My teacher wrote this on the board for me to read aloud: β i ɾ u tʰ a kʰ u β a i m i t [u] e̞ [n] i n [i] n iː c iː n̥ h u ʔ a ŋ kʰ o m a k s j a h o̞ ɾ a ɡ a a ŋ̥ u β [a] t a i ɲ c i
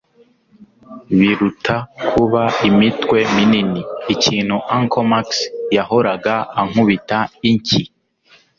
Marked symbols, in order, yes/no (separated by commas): no, no, yes, no